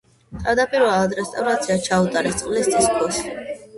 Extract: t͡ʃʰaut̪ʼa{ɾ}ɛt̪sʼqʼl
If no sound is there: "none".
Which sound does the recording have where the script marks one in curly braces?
ɾ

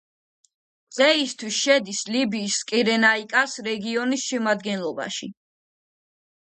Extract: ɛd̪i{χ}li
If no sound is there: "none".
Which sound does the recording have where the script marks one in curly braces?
s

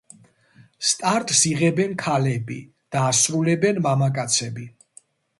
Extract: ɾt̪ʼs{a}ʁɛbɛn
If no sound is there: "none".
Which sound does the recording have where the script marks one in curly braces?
i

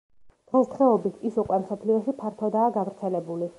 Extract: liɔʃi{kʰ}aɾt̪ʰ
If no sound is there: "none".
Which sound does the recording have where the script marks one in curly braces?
pʰ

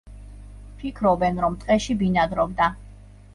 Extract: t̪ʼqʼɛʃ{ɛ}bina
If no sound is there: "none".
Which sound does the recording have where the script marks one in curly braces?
i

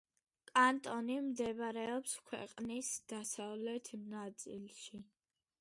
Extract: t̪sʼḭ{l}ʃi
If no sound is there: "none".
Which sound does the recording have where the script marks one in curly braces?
l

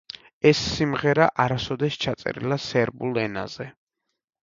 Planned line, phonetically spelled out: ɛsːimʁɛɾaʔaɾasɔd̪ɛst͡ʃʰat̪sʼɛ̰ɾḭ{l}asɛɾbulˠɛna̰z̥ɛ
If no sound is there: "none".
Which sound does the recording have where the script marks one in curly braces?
l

